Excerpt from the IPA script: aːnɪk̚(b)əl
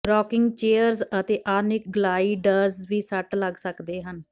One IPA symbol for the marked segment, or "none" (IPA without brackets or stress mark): ɡ